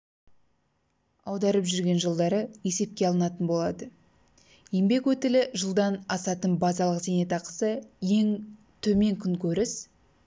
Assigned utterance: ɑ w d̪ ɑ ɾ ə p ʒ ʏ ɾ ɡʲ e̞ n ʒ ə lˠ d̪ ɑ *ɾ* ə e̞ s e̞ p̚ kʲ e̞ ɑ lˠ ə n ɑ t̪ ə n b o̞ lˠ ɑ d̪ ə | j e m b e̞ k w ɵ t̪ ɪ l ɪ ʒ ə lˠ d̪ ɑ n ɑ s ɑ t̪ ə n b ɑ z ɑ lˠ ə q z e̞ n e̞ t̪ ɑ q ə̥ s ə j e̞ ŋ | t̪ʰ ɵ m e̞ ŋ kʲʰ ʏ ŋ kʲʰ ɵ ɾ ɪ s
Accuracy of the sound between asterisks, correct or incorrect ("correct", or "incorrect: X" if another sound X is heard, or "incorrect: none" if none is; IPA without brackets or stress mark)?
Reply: correct